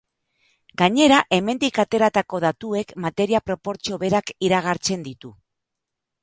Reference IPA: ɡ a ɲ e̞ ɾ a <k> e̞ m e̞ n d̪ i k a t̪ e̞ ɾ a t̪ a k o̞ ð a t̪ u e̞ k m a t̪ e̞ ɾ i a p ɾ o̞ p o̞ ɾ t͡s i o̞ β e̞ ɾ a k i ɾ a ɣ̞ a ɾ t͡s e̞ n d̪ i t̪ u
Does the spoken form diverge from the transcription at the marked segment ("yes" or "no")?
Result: yes